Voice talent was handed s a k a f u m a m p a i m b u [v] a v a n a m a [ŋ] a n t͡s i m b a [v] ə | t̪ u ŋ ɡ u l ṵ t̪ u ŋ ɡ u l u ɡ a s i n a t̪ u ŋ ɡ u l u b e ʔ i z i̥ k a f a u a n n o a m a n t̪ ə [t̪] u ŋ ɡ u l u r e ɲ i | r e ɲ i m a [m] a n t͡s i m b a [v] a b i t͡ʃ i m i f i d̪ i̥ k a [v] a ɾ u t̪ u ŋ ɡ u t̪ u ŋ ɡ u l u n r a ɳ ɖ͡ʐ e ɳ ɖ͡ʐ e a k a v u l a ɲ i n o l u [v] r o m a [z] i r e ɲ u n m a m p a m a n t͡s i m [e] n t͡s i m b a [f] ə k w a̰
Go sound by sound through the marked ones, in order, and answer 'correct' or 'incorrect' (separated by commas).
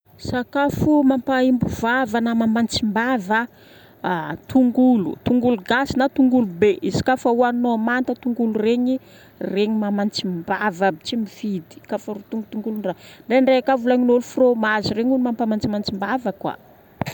correct, incorrect, correct, correct, correct, correct, incorrect, incorrect, correct, incorrect, incorrect